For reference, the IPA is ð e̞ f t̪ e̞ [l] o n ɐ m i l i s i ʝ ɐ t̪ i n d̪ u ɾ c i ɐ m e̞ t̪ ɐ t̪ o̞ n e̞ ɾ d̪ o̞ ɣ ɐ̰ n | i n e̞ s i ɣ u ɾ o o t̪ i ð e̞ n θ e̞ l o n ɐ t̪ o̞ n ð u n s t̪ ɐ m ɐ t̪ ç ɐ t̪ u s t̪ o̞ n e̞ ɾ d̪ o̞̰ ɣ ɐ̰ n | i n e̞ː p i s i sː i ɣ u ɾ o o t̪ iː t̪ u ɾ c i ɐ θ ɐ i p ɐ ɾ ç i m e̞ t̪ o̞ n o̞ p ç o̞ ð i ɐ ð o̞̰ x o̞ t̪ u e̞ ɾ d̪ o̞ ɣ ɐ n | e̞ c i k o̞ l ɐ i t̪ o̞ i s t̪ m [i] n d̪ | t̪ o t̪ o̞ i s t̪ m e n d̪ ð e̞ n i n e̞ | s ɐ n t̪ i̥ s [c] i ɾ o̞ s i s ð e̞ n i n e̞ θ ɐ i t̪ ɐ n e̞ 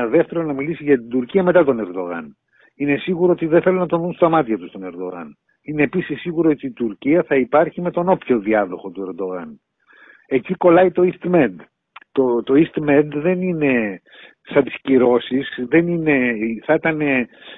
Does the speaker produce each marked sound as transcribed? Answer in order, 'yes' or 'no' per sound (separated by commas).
no, no, yes